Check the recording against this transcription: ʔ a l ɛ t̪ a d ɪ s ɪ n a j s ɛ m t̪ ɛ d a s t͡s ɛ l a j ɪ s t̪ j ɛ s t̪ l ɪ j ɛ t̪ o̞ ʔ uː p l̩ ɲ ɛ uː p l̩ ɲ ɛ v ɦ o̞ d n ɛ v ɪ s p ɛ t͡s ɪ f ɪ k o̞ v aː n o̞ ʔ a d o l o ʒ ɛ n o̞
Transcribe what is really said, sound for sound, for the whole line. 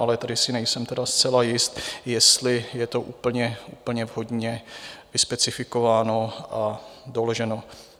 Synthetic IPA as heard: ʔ a l ɛ t̪ a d ɪ s ɪ n ɛ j s ɛ m t̪ ɛ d a s t͡s ɛ l a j ɪ s t̪ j ɛ s t̪ l ɪ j ɛ t̪ o̞ ʔ uː p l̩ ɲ ɛ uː p l̩ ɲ ɛ v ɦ o̞ d ɲ ɛ v ɪ s p ɛ t͡s ɪ f ɪ k o̞ v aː n o̞ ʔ a d o l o ʒ ɛ n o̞

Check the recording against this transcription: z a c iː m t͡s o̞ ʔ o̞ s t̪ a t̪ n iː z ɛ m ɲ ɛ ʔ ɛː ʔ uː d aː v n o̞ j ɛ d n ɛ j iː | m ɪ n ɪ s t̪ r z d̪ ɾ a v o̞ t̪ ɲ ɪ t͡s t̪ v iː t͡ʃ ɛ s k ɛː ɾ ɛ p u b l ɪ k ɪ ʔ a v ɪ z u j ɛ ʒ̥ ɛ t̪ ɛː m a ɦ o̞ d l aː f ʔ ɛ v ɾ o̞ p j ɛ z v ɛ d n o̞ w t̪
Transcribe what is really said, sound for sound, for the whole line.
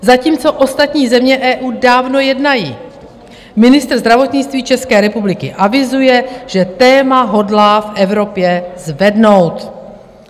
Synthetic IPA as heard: z a c iː m t͡s o̞ ʔ o̞ s t̪ a t̪ ɲ iː z ɛ m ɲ ɛ ʔ ɛː ʔ uː d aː v n o̞ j ɛ d n a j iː | m ɪ n ɪ s t̪ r z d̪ ɾ a v o̞ t̪ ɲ ɪ t͡s t̪ v iː t͡ʃ ɛ s k ɛː ɾ ɛ p u b l ɪ k ɪ ʔ a v ɪ z u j ɛ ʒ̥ ɛ t̪ ɛː m a ɦ o̞ d l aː f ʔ ɛ v ɾ o̞ p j ɛ z v ɛ d n o̞ w t̪

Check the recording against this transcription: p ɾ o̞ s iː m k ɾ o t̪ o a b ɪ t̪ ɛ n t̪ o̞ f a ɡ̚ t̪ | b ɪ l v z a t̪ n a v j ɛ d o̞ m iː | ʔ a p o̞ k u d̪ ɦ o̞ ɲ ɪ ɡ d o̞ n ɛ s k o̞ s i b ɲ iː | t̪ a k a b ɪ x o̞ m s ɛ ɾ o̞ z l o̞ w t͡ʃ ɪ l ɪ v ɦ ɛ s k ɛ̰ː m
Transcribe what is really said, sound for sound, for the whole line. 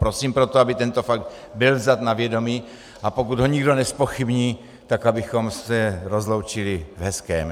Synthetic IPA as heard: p ɾ o̞ s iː m p ɾ o t̪ o a b ɪ t̪ ɛ n t̪ o̞ f a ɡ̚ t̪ | b ɪ l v z a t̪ n a v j ɛ d o̞ m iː | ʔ a p o̞ k u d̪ ɦ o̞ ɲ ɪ ɡ d o̞ n ɛ s p o̞ x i b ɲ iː | t̪ a k a b ɪ x o̞ m s ɛ ɾ o̞ z l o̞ w t͡ʃ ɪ l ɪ v ɦ ɛ s k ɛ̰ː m

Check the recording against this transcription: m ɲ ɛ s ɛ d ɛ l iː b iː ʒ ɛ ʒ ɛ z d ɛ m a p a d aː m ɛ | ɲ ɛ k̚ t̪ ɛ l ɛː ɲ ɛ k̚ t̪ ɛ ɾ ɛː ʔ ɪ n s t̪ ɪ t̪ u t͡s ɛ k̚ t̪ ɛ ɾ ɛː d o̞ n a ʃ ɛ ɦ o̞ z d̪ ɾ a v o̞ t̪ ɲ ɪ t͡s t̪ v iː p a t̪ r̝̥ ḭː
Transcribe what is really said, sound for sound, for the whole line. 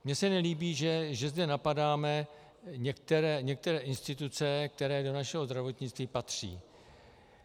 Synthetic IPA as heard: m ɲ ɛ s ɛ n ɛ l iː b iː ʒ ɛ ʒ ɛ z d ɛ n a p a d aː m ɛ | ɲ ɛ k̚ t̪ ɛ ɾ ɛː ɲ ɛ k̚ t̪ ɛ ɾ ɛː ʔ ɪ n s t̪ ɪ t̪ u t͡s ɛ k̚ t̪ ɛ ɾ ɛː d o̞ n a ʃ ɛ ɦ o̞ z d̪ ɾ a v o̞ t̪ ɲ ɪ t͡s t̪ v iː p a t̪ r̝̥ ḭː

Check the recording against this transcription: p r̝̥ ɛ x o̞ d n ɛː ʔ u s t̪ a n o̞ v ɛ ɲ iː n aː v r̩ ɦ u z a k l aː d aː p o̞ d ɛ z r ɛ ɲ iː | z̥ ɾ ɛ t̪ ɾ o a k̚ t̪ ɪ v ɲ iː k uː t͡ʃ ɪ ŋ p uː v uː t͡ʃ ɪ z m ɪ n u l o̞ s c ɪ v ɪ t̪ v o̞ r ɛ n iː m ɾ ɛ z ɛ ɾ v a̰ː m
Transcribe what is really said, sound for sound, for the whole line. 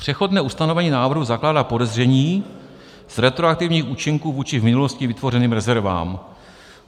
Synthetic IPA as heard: p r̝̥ ɛ x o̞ d n ɛː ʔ u s t̪ a n o̞ v ɛ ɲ iː n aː v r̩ ɦ u z a k l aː d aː p o̞ d ɛ z r ɛ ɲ iː | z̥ ɾ ɛ t̪ ɾ o a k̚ t̪ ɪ v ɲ iː x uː t͡ʃ ɪ ŋ k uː v uː t͡ʃ ɪ v m ɪ n u l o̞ s c ɪ v ɪ t̪ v o̞ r ɛ n iː m ɾ ɛ z ɛ ɾ v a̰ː m

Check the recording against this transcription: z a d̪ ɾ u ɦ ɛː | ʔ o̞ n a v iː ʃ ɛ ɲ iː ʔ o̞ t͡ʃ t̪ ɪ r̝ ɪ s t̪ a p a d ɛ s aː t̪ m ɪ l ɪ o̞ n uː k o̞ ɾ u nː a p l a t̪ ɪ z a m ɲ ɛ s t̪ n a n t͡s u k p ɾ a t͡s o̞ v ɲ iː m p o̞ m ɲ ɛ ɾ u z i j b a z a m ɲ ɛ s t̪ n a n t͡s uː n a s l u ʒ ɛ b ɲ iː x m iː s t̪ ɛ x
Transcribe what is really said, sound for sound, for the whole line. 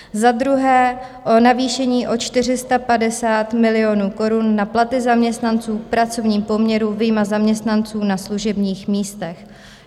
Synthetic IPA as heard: z a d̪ ɾ u ɦ ɛː | ʔ o̞ n a v iː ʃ ɛ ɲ iː ʔ o̞ t͡ʃ t̪ ɪ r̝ ɪ s t̪ a p a d ɛ s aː t̪ m ɪ l ɪ o̞ n uː k o̞ ɾ u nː a p l a t̪ ɪ z a m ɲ ɛ s t̪ n a n t͡s uː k p ɾ a t͡s o̞ v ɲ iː m p o̞ m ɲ ɛ ɾ u v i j m a z a m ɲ ɛ s t̪ n a n t͡s uː n a s l u ʒ ɛ b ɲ iː x m iː s t̪ ɛ x

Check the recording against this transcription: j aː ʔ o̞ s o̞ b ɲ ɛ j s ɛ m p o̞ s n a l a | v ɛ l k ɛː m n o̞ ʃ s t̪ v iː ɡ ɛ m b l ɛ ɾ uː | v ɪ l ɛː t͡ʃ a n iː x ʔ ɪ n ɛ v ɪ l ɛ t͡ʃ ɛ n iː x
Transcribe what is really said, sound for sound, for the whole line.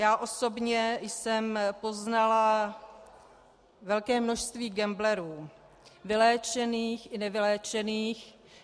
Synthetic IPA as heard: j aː ʔ o̞ s o̞ b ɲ ɛ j s ɛ m p o̞ z n a l a | v ɛ l k ɛː m n o̞ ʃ s t̪ v iː ɡ ɛ m b l ɛ ɾ uː | v ɪ l ɛː t͡ʃ ɛ n iː x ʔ ɪ n ɛ v ɪ l ɛː t͡ʃ ɛ n iː x

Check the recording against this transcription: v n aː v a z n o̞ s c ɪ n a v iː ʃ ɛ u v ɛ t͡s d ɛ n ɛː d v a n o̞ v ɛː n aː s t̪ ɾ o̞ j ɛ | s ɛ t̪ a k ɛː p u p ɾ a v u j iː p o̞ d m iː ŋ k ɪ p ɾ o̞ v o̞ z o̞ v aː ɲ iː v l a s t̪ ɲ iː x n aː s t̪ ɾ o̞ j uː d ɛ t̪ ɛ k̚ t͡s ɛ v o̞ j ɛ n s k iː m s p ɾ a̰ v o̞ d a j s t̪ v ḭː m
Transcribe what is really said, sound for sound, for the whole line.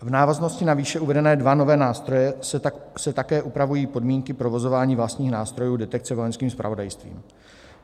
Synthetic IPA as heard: v n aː v a z n o̞ s c ɪ n a v iː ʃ ɛ u v ɛ d ɛ n ɛː d v a n o̞ v ɛː n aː s t̪ ɾ o̞ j ɛ | s ɛ t̪ a k ɛː ʔ u p ɾ a v u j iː p o̞ d m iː ŋ k ɪ p ɾ o̞ v o̞ z o̞ v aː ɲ iː v l a s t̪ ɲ iː x n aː s t̪ ɾ o̞ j uː d ɛ t̪ ɛ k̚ t͡s ɛ v o̞ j ɛ n s k iː m s p ɾ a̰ v o̞ d a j s t̪ v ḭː m

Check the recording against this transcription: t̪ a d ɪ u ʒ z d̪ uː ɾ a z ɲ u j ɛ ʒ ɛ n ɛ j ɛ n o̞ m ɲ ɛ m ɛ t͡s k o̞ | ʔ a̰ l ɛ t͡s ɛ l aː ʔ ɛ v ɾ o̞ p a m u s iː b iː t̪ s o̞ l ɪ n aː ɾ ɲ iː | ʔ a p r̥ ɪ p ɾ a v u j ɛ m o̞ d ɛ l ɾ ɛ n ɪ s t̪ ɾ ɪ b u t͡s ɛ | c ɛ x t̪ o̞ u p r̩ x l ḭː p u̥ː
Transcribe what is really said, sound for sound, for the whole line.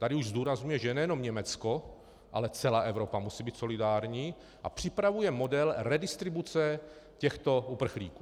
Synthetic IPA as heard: t̪ a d ɪ u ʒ z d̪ uː ɾ a z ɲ u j ɛ ʒ ɛ n ɛ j ɛ n o̞ m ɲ ɛ m ɛ t͡s k o̞ | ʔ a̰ l ɛ t͡s ɛ l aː ʔ ɛ v ɾ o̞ p a m u s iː b iː t̪ s o̞ l ɪ d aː ɾ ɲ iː | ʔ a p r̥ ɪ p ɾ a v u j ɛ m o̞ d ɛ l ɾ ɛ d ɪ s t̪ ɾ ɪ b u t͡s ɛ | c ɛ x t̪ o̞ u p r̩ x l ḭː k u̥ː

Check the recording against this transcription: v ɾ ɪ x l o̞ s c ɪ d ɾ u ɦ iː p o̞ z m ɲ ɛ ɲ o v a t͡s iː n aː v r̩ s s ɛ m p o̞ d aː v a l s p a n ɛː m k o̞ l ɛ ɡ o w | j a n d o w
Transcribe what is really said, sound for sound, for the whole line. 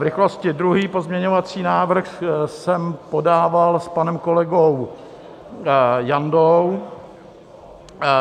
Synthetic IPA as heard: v ɾ ɪ x l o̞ s c ɪ d ɾ u ɦ iː p o̞ z m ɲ ɛ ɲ o v a t͡s iː n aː v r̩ x s ɛ m p o̞ d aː v a l s p a n ɛ m k o̞ l ɛ ɡ o w | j a n d o w

